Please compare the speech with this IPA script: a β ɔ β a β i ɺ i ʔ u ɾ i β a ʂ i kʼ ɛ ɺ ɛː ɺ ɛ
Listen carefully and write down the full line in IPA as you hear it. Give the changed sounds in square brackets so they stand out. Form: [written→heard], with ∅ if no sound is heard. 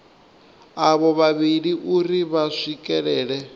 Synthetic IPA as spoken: a β ɔ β a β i ɺ i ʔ u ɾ i β a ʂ i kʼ ɛ ɺ ɛː ɺ ɛ